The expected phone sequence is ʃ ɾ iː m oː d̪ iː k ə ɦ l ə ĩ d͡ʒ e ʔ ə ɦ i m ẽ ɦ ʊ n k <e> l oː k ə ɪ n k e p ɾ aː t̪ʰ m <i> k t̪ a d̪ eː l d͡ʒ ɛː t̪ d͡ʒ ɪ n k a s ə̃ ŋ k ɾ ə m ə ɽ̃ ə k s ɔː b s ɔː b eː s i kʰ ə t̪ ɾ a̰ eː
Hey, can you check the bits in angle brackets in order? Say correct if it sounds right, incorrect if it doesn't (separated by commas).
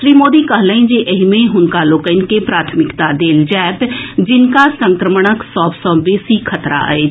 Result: incorrect, incorrect